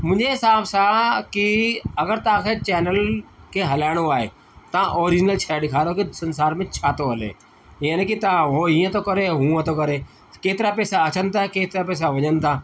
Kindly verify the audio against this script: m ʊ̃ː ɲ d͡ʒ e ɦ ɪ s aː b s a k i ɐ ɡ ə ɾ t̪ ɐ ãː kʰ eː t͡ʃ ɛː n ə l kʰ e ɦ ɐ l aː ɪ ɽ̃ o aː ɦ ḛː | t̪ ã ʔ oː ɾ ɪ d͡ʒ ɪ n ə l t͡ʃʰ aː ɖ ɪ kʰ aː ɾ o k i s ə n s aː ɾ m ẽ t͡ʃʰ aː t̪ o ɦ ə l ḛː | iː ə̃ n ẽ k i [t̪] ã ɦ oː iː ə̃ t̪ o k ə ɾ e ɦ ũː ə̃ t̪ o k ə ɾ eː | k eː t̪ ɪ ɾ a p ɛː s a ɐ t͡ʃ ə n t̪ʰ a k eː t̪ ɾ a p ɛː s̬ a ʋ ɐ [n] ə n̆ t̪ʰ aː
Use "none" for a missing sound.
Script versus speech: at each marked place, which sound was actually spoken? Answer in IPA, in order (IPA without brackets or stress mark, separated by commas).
t̪, ɲ